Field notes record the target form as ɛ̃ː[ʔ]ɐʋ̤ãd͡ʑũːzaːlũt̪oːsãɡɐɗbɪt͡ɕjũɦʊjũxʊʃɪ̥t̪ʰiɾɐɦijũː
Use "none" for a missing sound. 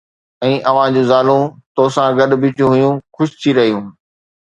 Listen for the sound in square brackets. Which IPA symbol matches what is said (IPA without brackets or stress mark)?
ʔ